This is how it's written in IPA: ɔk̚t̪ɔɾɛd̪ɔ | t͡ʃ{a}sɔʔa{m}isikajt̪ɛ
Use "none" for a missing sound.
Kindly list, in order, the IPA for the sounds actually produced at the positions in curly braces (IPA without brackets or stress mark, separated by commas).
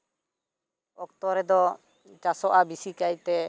a, b